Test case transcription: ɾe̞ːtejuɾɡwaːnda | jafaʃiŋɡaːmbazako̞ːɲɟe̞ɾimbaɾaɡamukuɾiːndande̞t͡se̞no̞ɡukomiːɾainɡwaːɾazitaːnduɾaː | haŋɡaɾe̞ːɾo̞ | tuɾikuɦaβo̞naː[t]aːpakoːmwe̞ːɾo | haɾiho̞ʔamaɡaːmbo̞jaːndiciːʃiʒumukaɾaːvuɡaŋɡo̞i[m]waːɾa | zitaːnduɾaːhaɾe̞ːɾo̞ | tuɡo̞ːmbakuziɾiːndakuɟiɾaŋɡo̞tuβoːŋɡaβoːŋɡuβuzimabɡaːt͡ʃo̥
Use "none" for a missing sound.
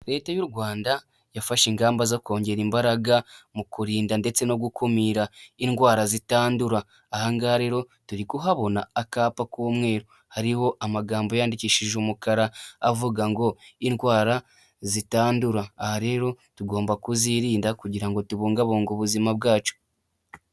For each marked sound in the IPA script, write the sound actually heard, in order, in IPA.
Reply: k, n

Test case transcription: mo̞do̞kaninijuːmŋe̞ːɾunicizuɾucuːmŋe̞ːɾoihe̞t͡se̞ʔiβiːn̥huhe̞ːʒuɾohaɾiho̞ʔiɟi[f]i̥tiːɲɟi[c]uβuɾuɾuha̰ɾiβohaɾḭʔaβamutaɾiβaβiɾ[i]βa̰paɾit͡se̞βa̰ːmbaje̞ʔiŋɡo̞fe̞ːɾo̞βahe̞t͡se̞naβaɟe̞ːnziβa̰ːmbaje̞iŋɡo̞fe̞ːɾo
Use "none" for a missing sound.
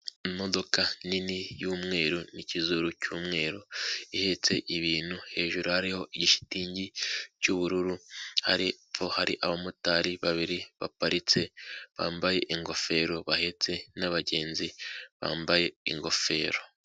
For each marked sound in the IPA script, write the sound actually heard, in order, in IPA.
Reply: ʃ, c, i

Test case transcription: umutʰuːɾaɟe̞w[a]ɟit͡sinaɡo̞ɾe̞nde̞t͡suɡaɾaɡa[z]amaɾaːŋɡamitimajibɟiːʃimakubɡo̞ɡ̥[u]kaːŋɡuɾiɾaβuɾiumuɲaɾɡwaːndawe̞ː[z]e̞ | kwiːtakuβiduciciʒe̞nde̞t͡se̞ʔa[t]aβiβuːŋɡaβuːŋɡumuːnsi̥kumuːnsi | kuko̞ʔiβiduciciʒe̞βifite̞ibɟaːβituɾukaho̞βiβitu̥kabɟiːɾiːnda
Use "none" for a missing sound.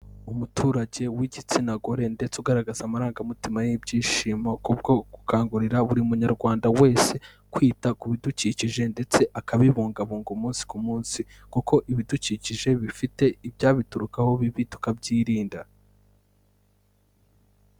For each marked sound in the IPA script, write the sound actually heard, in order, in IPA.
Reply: i, z, u, s, k

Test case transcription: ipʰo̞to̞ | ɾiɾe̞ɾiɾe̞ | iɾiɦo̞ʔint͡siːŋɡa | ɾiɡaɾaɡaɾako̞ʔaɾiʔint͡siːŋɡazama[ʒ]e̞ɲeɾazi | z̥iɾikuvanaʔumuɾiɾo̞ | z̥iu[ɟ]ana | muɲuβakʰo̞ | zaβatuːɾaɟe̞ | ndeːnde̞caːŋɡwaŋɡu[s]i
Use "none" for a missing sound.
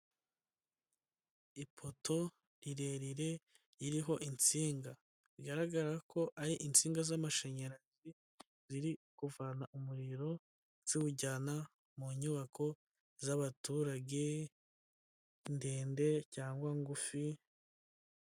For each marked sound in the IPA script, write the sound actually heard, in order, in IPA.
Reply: ʃ, ɟ, f

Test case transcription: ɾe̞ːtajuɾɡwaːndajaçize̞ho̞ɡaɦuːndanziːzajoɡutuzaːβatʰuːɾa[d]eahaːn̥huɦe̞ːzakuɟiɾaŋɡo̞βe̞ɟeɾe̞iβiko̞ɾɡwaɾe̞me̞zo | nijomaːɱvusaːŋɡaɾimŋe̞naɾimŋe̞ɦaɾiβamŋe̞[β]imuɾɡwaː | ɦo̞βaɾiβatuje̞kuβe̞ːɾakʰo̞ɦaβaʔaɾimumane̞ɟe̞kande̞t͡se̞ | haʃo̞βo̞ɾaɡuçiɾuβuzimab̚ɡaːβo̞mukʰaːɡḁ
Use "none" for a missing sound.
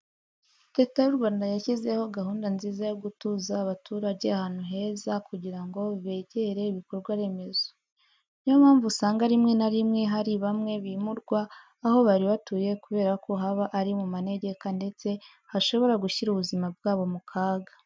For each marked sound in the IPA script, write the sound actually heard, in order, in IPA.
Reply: ɟ, β

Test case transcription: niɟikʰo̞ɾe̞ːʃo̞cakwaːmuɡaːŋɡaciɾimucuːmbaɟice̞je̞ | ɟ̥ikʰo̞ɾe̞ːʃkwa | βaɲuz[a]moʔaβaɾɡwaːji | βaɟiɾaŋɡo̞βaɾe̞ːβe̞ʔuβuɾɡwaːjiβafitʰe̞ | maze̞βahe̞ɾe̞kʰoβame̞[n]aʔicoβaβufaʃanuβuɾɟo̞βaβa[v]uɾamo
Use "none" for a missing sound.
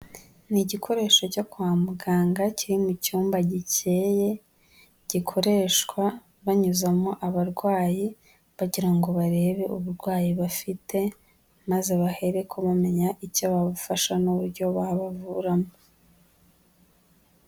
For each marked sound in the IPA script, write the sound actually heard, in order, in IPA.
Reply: a, ɲ, v

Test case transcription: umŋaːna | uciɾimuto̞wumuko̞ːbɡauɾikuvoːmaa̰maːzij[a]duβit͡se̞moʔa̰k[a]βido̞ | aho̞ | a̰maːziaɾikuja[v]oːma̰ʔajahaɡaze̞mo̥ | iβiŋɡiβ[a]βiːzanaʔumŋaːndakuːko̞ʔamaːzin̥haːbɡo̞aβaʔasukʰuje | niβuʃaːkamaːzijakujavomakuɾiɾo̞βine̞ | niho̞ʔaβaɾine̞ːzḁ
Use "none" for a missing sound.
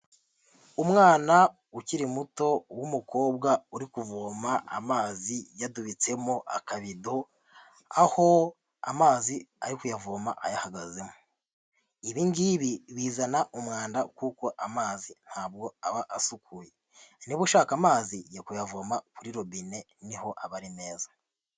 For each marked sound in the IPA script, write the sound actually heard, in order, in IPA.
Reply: a, a, v, i

